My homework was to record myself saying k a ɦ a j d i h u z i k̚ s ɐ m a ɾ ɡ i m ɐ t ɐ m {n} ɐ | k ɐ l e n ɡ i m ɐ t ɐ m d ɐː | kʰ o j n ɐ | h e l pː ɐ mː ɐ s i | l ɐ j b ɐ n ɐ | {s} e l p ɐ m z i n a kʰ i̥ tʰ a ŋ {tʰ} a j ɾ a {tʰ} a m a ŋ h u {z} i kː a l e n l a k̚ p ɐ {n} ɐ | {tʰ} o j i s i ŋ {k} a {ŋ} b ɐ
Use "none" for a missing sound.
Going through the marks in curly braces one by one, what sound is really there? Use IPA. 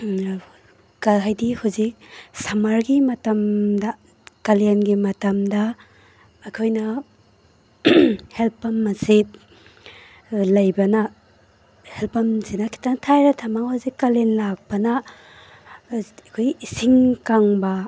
d, h, tʰ, tʰ, z, n, kʰ, k, ŋ

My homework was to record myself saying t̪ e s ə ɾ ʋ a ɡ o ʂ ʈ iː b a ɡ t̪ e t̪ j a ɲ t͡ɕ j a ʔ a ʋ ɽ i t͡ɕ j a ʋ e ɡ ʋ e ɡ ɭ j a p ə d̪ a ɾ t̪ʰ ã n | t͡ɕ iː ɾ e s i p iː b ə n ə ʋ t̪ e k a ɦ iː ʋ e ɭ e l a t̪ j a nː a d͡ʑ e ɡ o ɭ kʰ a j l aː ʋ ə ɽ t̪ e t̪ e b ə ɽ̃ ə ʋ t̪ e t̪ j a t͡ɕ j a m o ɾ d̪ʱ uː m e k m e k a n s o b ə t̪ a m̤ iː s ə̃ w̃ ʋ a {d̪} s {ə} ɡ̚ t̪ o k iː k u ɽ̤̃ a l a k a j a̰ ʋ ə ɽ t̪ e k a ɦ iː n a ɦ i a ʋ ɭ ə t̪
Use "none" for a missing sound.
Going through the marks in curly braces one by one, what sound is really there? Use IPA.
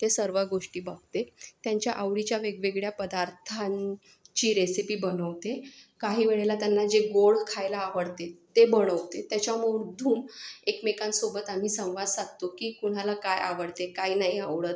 d̪, a

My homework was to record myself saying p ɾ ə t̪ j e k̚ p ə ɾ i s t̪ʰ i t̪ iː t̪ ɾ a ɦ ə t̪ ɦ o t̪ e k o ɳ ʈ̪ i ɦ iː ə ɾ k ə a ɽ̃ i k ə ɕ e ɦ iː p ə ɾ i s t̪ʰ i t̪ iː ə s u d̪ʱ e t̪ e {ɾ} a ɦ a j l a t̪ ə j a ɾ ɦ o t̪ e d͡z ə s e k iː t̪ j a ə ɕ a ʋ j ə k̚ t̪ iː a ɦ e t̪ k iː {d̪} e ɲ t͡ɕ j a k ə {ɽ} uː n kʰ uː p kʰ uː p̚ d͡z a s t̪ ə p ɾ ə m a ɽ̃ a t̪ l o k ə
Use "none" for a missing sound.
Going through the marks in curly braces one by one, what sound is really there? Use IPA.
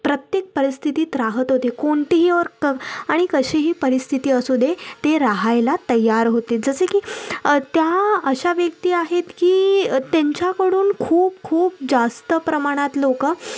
ɾ, t̪, ɽ

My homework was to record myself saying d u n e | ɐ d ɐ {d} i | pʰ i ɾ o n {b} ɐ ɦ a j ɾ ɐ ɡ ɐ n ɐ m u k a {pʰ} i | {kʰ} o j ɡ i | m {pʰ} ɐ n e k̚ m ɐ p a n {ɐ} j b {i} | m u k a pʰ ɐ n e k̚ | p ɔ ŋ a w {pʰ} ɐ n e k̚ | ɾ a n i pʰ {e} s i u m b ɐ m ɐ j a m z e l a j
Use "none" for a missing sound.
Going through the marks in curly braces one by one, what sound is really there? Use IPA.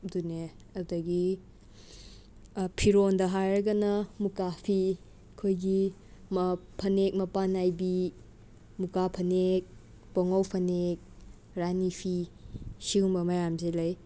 ɡ, d, pʰ, kʰ, pʰ, a, i, pʰ, i

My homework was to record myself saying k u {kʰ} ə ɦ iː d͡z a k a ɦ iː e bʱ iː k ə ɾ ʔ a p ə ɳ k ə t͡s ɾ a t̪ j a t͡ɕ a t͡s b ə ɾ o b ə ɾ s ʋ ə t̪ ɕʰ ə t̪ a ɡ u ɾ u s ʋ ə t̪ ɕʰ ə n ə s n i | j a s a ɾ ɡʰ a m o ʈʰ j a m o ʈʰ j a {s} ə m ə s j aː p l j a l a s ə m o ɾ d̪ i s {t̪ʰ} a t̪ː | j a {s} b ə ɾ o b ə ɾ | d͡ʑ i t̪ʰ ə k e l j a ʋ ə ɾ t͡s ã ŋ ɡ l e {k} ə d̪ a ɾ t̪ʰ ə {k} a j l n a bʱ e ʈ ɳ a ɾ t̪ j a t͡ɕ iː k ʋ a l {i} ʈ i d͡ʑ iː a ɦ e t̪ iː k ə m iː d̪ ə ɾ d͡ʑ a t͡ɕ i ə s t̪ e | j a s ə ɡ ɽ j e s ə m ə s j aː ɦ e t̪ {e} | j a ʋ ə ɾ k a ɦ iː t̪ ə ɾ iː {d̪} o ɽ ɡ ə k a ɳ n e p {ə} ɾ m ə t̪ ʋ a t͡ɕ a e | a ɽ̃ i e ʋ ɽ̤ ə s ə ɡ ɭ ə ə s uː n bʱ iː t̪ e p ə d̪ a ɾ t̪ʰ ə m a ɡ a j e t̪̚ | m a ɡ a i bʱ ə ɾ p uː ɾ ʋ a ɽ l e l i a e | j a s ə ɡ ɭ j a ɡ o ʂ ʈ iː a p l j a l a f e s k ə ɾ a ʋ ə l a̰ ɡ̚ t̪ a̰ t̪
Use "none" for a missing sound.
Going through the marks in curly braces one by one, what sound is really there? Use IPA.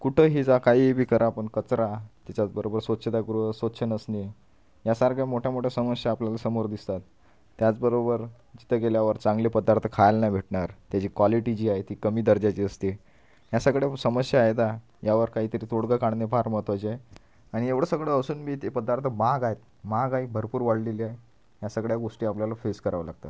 ʈʰ, s, t̪, t͡s, p, kʰ, i, a, t̪, a

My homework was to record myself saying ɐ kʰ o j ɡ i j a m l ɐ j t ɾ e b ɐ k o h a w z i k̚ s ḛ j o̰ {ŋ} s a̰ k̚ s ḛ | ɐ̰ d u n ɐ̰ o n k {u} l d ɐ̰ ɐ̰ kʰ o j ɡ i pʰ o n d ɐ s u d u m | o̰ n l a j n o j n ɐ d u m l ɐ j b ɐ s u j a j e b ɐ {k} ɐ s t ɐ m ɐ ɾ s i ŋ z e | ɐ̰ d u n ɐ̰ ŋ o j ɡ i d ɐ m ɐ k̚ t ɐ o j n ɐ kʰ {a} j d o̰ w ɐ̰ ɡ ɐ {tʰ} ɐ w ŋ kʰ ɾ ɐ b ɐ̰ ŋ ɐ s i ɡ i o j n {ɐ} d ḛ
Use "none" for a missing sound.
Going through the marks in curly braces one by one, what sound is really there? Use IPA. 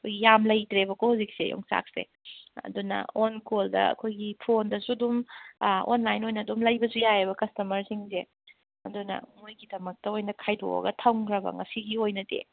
ŋ, o, k, a, tʰ, ɐ

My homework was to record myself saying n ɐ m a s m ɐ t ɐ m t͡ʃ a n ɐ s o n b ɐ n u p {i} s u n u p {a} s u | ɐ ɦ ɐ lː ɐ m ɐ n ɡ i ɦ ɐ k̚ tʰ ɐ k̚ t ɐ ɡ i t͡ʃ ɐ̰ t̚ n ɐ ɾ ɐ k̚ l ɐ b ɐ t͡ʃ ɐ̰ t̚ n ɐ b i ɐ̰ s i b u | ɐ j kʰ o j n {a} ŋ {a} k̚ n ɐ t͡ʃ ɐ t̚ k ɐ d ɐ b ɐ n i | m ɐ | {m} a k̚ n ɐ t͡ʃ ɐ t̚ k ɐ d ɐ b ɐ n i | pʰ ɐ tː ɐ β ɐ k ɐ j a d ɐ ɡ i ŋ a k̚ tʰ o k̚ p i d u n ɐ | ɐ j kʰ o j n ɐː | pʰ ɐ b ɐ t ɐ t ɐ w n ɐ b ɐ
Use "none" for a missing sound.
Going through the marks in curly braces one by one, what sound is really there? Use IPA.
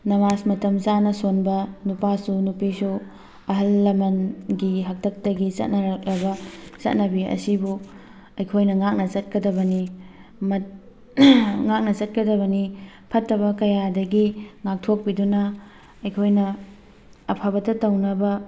a, i, ɐ, a, ŋ

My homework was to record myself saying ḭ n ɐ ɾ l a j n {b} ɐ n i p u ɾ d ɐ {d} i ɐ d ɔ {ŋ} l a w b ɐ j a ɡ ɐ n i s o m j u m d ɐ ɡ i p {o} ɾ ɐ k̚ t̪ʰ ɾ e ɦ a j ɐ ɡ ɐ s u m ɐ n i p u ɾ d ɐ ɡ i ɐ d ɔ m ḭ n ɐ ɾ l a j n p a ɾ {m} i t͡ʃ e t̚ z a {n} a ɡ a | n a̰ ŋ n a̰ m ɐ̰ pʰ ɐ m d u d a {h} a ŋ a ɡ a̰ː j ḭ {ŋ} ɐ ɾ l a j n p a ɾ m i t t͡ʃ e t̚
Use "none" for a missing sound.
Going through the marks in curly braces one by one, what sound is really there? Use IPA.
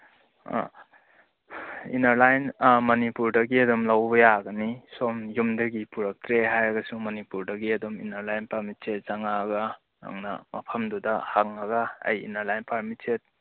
m, ɡ, m, u, m, ŋ, h, n

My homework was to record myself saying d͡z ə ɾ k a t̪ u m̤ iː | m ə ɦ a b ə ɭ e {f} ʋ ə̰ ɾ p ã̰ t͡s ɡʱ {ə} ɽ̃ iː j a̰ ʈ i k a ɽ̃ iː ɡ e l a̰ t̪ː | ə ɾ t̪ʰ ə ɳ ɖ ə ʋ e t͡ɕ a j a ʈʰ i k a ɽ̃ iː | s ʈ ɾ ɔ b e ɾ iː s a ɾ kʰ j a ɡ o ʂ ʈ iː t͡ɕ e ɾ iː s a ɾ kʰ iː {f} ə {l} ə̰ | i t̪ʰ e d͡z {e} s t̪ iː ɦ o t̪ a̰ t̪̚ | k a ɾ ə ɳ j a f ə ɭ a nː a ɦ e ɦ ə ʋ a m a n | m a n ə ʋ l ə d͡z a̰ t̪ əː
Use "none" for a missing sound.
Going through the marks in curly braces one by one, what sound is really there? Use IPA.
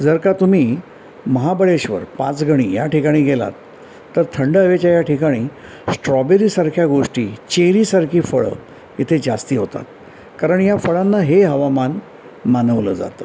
ɕ, ə, f, ɭ, a

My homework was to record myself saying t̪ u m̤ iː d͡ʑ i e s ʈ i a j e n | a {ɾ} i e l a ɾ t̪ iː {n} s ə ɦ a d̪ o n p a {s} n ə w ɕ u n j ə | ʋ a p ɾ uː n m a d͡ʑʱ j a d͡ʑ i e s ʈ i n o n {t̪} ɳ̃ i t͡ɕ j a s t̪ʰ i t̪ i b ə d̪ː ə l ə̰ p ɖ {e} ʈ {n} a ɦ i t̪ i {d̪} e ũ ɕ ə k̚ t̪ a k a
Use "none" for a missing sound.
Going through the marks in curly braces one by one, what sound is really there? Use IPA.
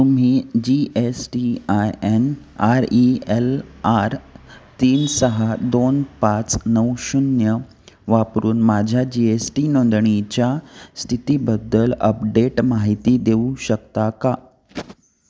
ɾ, n, t͡s, d̪, e, m, d̪

